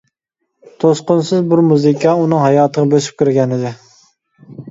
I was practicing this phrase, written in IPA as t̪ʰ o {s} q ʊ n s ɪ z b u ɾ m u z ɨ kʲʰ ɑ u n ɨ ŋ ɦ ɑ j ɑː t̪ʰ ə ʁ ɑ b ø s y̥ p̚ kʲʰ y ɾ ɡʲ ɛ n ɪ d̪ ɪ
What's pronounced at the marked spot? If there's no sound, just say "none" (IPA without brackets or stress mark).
s